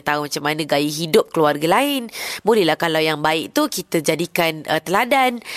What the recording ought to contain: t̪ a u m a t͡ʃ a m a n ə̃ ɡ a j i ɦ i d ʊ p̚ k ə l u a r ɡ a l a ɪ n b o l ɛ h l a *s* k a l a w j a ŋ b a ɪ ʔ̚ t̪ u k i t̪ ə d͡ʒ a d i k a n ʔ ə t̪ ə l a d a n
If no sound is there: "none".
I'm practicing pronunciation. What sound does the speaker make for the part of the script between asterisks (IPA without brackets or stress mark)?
h